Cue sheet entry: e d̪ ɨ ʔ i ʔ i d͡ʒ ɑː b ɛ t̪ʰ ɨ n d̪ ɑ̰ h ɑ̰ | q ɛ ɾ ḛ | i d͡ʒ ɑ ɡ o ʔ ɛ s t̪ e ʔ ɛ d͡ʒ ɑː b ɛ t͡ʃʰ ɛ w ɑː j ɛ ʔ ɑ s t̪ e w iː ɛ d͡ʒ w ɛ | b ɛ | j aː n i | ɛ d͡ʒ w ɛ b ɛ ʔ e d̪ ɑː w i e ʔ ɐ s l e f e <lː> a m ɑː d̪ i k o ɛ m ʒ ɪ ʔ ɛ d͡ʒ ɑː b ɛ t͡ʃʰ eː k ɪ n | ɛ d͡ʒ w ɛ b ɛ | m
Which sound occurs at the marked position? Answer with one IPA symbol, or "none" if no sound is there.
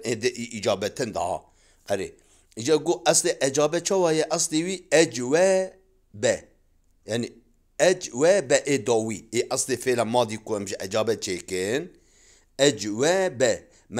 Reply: l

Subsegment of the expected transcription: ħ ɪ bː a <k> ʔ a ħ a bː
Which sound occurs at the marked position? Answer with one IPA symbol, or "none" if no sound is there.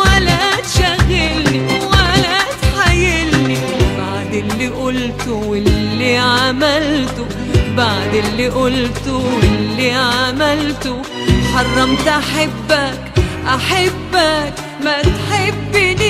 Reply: k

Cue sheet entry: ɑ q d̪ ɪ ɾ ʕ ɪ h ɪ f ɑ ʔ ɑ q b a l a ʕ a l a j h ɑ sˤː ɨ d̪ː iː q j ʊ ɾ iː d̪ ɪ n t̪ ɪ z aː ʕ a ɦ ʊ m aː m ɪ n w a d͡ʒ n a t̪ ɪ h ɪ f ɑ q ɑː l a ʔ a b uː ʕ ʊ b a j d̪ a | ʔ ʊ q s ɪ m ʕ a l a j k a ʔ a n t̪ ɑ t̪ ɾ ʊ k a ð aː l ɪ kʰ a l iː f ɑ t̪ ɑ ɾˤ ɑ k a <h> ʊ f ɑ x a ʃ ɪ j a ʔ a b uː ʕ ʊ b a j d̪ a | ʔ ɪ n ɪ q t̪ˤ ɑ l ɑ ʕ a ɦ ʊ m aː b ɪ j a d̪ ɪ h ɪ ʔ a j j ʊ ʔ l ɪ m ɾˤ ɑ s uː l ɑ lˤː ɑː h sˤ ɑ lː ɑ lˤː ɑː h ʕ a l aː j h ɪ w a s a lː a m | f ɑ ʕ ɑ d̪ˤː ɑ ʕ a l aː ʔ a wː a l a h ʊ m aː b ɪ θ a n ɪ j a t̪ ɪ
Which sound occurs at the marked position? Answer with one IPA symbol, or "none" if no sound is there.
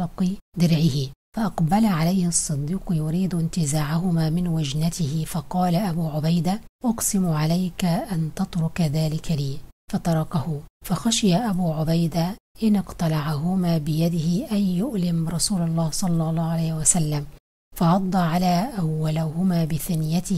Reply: h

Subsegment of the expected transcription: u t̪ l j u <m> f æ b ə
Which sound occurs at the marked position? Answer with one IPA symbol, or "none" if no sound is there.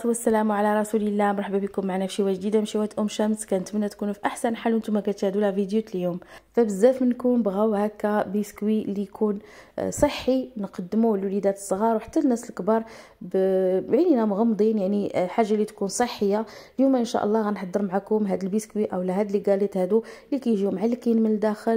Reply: m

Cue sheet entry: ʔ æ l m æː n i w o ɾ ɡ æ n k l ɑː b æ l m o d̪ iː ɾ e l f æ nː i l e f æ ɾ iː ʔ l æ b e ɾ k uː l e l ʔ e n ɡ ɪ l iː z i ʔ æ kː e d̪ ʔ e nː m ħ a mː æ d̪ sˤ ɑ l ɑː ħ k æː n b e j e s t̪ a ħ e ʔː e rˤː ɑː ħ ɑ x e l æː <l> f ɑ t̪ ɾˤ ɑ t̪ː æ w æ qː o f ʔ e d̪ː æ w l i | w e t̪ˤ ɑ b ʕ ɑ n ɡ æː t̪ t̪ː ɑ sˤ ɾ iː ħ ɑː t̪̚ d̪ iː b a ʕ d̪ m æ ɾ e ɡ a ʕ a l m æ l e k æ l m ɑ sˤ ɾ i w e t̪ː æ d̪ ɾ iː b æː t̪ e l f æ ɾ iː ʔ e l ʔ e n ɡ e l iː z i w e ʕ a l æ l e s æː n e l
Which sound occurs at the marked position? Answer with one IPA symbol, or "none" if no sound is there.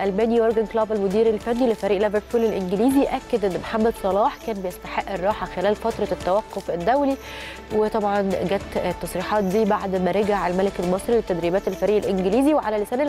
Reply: l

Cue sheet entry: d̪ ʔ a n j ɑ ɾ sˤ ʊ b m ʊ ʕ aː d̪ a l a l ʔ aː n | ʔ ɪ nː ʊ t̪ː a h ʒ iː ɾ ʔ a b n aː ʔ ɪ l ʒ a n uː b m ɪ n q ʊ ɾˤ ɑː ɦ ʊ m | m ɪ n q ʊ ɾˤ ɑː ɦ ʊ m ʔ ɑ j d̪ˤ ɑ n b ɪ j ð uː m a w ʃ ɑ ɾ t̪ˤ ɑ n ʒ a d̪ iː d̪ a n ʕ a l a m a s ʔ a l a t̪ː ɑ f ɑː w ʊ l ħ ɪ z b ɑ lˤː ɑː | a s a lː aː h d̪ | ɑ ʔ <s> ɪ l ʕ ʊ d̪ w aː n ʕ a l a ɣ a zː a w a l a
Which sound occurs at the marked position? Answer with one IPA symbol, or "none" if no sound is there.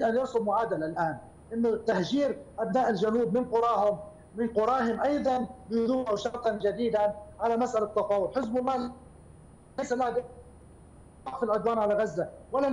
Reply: f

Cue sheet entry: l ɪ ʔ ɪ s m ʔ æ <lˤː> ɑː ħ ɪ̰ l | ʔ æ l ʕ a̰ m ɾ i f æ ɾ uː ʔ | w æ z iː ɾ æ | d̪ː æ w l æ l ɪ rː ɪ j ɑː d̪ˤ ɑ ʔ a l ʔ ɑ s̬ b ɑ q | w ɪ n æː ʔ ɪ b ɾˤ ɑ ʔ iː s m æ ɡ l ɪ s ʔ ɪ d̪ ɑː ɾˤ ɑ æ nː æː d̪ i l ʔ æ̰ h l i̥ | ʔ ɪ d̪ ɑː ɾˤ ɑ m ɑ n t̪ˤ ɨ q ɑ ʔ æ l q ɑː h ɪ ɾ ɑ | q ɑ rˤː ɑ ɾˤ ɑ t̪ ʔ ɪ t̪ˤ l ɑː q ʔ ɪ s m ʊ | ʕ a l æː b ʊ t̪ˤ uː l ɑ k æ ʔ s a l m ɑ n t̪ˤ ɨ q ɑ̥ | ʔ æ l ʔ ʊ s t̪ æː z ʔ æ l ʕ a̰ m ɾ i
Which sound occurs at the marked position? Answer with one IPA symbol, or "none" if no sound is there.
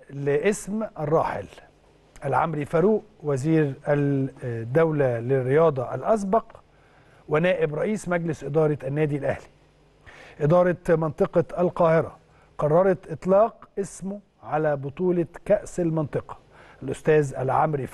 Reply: rˤː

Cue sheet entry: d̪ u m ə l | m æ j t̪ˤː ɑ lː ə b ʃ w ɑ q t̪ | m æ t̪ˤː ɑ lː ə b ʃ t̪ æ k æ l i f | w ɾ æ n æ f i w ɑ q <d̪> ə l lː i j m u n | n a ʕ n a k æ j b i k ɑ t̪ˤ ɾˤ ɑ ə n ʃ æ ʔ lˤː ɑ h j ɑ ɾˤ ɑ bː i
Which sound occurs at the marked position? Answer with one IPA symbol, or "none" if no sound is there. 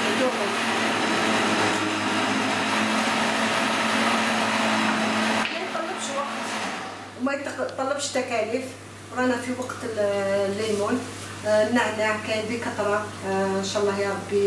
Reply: t̪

